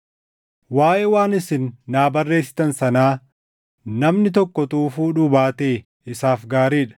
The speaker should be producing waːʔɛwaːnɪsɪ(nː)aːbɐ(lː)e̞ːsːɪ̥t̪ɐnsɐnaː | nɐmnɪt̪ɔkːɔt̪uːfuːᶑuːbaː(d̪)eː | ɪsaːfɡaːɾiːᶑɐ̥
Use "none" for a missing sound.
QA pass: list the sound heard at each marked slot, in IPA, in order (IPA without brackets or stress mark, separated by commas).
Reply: nː, rː, t̪